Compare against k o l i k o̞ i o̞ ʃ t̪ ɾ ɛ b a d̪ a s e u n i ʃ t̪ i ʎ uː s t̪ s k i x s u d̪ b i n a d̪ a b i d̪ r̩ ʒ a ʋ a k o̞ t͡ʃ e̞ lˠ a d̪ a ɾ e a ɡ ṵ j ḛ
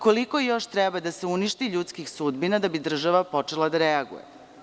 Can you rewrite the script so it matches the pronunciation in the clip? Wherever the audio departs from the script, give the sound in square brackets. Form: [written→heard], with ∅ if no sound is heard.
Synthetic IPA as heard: k o l i k o̞ [i→j] o̞ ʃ t̪ ɾ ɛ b a d̪ a s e u n i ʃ t̪ i ʎ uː [s→∅] t̪ s k i x s u d̪ b i n a d̪ a b i d̪ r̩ ʒ a ʋ a [k→p] o̞ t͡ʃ e̞ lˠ a d̪ a ɾ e a ɡ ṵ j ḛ